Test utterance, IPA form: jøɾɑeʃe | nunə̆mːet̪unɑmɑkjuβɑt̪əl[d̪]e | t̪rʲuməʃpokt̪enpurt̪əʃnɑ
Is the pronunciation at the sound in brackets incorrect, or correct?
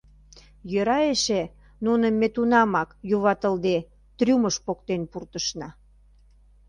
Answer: correct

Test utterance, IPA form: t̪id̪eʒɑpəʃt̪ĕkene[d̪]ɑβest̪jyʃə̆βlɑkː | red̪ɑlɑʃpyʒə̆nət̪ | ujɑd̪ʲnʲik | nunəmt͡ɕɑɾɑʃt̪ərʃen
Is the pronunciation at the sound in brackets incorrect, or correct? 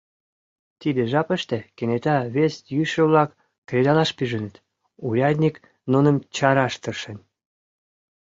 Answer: incorrect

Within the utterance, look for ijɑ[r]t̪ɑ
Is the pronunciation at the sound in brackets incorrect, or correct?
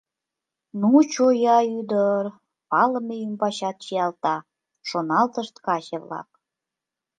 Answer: incorrect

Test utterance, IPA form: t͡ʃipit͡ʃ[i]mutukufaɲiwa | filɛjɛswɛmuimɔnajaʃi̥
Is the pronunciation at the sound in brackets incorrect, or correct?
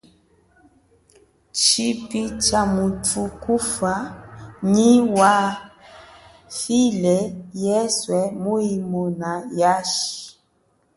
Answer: incorrect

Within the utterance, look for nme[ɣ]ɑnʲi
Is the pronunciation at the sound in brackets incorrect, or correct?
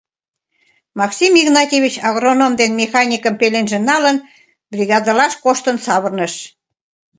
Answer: incorrect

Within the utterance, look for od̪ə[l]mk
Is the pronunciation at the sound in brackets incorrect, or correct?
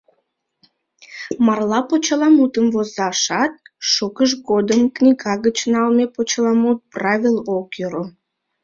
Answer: incorrect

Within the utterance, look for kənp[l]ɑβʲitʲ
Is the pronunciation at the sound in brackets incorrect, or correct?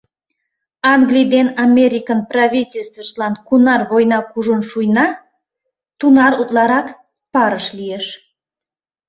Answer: incorrect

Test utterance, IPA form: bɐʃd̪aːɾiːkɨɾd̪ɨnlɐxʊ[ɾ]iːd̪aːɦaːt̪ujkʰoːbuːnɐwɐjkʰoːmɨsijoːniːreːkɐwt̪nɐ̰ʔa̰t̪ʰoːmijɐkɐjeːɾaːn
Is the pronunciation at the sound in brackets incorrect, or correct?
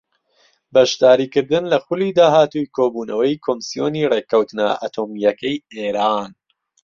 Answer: incorrect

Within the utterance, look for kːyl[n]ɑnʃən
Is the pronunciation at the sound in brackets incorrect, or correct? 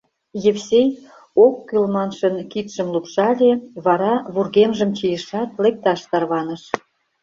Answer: incorrect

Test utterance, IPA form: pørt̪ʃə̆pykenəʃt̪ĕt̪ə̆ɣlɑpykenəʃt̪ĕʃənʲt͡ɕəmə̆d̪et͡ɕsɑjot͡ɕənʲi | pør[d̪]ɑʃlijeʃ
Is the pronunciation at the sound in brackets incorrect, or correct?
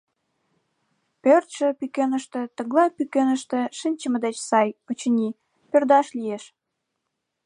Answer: correct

